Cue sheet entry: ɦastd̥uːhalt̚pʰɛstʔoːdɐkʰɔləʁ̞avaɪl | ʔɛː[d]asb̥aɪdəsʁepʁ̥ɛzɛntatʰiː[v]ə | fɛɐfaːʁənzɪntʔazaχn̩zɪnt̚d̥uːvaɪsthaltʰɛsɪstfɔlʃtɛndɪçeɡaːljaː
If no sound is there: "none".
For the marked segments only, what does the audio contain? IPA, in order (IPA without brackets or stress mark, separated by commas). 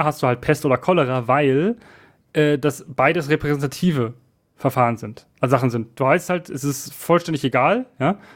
d, v